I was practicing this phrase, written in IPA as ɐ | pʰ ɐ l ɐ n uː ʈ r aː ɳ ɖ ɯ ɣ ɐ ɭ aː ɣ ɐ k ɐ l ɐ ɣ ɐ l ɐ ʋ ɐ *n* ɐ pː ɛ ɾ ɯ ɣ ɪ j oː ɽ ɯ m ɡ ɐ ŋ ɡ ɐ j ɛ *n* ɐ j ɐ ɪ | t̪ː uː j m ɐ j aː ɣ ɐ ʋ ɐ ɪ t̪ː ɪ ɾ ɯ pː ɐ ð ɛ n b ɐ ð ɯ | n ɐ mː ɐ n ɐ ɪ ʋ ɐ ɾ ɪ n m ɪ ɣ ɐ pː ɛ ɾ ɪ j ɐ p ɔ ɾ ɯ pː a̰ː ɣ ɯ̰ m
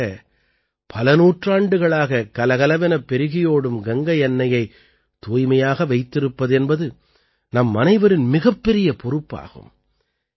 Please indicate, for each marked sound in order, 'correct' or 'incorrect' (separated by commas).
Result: correct, incorrect